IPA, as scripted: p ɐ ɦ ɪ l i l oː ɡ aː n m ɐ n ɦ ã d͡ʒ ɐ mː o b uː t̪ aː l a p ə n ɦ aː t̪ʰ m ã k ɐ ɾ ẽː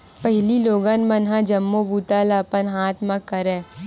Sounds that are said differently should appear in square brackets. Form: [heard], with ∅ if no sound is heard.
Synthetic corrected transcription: p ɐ ɦ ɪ l i l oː ɡ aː n m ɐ n ɦ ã d͡ʒ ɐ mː o b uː t̪ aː l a p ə n ɦ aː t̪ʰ m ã k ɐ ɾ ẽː